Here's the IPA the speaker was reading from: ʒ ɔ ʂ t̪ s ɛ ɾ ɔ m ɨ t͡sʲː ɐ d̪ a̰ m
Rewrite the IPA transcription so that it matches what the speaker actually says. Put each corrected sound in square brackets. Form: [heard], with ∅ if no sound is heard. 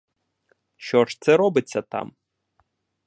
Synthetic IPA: [ʃ] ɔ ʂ t̪ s ɛ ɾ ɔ [b] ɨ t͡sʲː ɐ [t̪] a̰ m